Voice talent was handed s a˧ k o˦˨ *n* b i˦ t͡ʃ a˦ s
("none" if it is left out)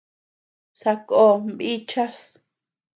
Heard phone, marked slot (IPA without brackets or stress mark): m